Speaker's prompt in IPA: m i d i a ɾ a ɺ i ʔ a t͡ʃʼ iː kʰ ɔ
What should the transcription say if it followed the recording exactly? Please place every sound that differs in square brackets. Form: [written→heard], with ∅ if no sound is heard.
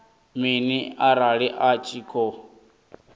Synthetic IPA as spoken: m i [d→n] i a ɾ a ɺ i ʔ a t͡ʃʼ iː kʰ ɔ